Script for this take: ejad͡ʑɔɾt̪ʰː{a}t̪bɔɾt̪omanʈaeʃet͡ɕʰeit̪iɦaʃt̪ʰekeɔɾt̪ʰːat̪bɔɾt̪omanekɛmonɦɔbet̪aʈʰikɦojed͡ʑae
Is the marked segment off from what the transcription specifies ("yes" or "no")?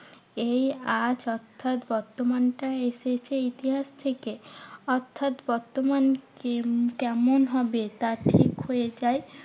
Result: no